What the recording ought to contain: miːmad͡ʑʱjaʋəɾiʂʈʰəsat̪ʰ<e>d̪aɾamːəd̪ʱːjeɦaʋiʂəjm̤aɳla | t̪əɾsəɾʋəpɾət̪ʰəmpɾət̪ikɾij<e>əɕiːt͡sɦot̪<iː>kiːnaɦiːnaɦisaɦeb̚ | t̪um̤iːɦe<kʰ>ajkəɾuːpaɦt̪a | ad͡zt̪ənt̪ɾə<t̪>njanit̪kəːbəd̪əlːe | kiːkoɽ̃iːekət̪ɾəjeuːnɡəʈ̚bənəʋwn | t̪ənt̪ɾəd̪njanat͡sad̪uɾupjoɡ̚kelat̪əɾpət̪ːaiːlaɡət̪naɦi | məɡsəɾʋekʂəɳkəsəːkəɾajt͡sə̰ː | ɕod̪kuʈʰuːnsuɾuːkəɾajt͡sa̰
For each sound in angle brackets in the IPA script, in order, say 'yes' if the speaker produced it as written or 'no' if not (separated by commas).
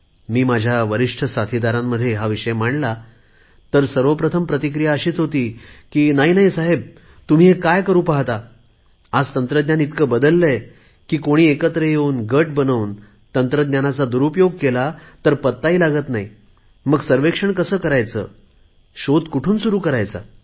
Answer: no, no, yes, no, no